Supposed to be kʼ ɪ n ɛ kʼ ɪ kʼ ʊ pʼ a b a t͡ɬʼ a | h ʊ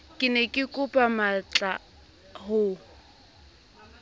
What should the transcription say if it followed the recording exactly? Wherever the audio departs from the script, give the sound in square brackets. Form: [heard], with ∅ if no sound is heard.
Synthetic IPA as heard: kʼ ɪ n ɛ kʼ ɪ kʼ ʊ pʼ a [m] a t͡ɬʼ a | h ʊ